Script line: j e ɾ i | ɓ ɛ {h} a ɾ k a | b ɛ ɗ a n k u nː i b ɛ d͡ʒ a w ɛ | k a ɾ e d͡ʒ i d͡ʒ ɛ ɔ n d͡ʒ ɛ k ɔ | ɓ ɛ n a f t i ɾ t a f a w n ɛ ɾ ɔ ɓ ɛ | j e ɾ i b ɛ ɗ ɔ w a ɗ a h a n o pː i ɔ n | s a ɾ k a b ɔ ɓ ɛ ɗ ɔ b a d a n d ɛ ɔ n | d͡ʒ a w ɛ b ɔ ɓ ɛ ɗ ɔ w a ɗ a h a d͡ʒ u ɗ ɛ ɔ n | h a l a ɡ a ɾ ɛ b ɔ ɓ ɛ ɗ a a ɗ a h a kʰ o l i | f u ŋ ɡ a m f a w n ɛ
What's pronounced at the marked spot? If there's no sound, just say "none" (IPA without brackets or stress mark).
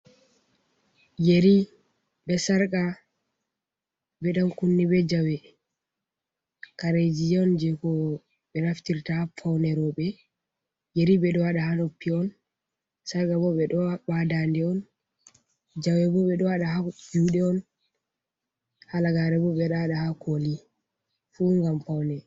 s